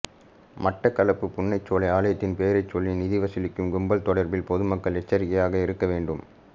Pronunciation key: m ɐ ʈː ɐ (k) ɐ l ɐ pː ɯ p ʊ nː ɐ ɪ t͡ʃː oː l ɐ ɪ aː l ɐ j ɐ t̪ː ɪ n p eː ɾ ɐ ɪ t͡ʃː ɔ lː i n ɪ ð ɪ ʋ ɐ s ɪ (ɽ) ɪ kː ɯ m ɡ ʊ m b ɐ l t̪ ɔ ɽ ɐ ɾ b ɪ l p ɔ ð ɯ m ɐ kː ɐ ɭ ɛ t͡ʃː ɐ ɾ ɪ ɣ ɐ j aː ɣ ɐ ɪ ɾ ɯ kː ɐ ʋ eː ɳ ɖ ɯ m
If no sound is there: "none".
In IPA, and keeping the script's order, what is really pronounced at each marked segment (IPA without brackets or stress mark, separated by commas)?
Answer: k, l